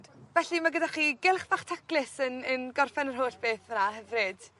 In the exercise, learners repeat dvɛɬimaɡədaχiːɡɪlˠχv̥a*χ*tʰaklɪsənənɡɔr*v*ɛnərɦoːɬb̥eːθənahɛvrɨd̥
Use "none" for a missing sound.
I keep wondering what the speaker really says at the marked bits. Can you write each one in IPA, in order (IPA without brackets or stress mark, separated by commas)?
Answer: χ, f